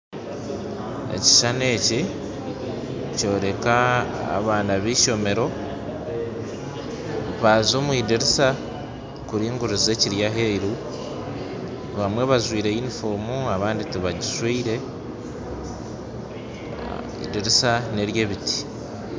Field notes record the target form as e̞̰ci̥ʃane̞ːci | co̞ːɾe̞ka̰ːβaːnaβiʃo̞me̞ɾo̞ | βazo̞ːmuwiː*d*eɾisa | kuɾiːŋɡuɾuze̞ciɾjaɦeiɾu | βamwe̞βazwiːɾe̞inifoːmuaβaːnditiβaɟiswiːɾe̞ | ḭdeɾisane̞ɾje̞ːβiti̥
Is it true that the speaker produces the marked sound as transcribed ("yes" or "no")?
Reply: yes